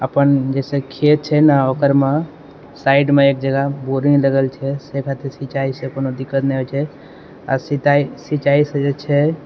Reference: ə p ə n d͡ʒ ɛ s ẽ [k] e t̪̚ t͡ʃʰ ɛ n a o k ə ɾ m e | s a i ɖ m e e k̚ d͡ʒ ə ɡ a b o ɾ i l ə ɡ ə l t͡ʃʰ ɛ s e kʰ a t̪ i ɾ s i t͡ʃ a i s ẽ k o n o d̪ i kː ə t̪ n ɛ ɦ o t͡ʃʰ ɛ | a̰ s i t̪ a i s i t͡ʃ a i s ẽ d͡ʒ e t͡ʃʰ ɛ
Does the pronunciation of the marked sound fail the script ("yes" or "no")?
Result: yes